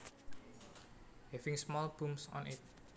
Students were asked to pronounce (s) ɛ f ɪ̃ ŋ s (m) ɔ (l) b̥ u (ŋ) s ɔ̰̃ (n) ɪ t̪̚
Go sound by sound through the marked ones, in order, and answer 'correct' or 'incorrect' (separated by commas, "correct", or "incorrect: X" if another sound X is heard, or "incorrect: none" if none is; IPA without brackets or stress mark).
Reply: incorrect: h, correct, correct, incorrect: m, correct